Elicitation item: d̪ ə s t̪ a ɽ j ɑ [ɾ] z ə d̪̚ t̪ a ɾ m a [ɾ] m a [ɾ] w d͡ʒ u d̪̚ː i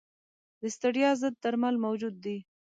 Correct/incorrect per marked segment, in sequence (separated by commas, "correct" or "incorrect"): incorrect, incorrect, incorrect